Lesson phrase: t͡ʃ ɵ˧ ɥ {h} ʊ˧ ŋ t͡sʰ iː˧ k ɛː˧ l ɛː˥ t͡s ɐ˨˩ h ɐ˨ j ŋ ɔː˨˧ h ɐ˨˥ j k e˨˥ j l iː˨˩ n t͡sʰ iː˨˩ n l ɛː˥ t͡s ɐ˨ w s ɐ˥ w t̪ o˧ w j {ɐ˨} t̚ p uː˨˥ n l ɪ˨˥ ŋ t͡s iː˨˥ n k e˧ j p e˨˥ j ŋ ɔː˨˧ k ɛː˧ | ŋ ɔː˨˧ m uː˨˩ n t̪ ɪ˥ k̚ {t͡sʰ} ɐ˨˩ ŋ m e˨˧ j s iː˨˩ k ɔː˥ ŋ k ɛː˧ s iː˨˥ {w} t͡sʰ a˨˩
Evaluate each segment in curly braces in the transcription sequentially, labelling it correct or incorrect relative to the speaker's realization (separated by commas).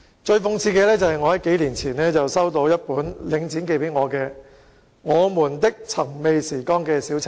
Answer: incorrect, incorrect, correct, correct